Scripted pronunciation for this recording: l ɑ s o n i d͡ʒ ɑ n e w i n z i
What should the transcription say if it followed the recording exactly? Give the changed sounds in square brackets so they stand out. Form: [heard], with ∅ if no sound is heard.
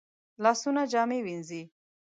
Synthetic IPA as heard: l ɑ s [u] n [a] d͡ʒ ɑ [m] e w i n z i